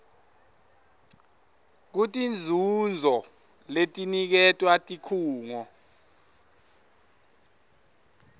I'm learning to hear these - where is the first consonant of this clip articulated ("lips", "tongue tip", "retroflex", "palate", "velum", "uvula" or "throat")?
velum